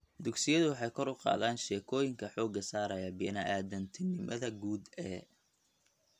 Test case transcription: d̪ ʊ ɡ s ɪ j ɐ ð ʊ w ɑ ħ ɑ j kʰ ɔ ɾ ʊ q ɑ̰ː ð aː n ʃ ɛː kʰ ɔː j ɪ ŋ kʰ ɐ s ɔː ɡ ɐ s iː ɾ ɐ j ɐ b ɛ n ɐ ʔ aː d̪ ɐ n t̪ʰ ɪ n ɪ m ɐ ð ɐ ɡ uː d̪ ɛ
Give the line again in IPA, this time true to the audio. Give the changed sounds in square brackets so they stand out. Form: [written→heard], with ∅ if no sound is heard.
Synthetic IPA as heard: d̪ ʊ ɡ s ɪ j ɐ ð ʊ w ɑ ħ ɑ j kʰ ɔ ɾ ʊ q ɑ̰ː ð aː n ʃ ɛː kʰ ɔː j ɪ ŋ kʰ ɐ [s→ħ] ɔː ɡ ɐ s [iː→aː] ɾ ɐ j ɐ b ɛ n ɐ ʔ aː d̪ ɐ n t̪ʰ ɪ n ɪ m ɐ ð ɐ ɡ uː d̪ ɛ